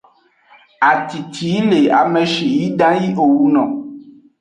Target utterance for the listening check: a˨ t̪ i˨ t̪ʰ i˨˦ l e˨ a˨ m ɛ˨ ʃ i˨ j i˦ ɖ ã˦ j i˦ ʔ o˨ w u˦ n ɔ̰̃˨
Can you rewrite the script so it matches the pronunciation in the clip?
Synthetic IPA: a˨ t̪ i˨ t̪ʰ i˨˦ l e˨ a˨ m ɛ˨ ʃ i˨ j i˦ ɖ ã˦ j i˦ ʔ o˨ w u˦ n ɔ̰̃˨